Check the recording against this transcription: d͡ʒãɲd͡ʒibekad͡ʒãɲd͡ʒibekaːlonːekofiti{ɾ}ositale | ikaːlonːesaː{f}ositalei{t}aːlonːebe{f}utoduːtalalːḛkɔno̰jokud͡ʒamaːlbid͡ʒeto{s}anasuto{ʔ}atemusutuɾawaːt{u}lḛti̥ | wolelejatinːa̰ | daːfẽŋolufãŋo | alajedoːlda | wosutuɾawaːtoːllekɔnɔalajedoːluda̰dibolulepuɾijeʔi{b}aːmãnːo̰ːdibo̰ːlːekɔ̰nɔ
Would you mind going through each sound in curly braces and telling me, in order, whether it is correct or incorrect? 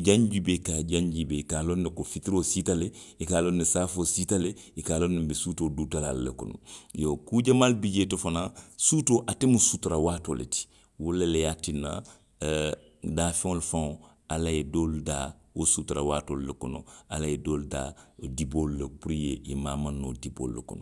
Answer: correct, correct, incorrect, incorrect, incorrect, correct, incorrect, incorrect

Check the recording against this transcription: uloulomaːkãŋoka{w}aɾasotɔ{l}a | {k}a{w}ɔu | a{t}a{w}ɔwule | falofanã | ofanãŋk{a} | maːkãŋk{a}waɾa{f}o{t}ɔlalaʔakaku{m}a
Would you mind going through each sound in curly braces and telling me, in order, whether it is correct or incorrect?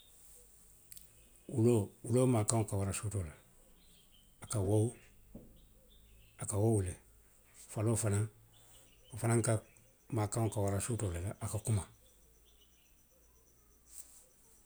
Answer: correct, correct, correct, correct, incorrect, correct, correct, correct, incorrect, correct, correct

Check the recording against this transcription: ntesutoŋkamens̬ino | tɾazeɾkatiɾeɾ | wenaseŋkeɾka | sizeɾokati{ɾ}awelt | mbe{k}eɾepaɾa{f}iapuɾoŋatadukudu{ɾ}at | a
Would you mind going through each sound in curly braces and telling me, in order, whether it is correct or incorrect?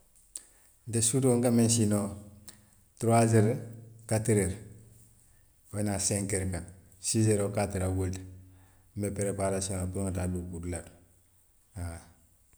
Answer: correct, incorrect, incorrect, incorrect

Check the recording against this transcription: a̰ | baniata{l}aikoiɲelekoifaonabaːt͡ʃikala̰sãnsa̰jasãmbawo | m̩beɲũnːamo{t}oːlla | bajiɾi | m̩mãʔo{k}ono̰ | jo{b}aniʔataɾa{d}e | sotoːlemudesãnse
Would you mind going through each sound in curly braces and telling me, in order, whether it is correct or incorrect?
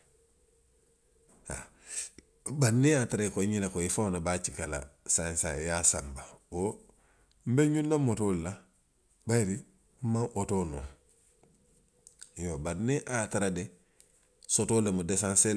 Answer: incorrect, correct, incorrect, correct, correct

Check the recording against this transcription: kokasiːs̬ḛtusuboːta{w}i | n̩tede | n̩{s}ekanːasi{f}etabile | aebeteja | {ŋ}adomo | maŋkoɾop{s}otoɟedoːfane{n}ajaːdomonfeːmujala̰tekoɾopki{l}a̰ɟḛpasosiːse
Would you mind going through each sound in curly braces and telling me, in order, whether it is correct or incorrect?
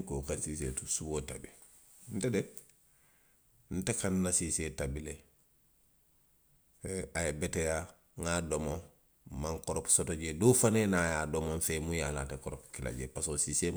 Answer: incorrect, incorrect, incorrect, correct, correct, correct, correct

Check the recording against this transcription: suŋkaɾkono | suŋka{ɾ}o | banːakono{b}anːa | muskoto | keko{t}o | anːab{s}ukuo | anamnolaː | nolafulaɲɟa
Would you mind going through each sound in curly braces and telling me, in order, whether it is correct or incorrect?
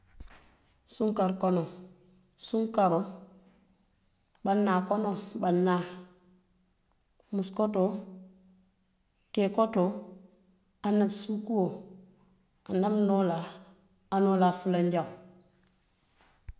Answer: correct, correct, correct, correct

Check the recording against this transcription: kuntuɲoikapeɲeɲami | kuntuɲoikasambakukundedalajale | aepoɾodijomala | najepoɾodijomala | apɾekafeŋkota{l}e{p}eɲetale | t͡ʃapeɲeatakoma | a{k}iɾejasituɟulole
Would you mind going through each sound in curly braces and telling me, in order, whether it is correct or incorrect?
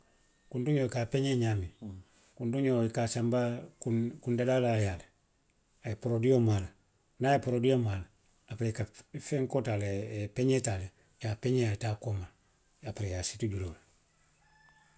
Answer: correct, correct, incorrect

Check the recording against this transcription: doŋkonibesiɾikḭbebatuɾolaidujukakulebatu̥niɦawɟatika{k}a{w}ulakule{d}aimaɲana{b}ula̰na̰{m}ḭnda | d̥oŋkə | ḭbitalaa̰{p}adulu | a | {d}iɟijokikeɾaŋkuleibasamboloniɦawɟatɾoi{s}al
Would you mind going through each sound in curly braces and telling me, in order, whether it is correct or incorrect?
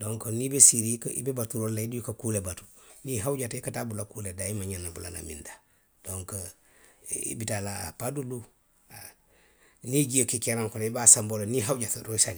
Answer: incorrect, incorrect, correct, correct, correct, correct, incorrect, correct

